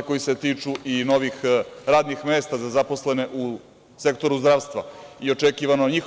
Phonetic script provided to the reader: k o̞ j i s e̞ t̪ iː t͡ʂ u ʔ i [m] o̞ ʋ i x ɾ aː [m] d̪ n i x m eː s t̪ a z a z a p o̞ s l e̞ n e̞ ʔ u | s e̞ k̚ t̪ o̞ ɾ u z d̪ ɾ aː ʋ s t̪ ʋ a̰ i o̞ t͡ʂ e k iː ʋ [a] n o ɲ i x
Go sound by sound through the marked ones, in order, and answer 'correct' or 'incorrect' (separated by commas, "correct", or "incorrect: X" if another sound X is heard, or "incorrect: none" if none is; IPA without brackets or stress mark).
incorrect: n, incorrect: none, correct